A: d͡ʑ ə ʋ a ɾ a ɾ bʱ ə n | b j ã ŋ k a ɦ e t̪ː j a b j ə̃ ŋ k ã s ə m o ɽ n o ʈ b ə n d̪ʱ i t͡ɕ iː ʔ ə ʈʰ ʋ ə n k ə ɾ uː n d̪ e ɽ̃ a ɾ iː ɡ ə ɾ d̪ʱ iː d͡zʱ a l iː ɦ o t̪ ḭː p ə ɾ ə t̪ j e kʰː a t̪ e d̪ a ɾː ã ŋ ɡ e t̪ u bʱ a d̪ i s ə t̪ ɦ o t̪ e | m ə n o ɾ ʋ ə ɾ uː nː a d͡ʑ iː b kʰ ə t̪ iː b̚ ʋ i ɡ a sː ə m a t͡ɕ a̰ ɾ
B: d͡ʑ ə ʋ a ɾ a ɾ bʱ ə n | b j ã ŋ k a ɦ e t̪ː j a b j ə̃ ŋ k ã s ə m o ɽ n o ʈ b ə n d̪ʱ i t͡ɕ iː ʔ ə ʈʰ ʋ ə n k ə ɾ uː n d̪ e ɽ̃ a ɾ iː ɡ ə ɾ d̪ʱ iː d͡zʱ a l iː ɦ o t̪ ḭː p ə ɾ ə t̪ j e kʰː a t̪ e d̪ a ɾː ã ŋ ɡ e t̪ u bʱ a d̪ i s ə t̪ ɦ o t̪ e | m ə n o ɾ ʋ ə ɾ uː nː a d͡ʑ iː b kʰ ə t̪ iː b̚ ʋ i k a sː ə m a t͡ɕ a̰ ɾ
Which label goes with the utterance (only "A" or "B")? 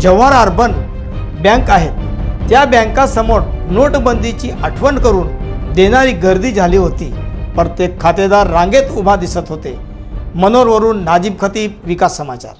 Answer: B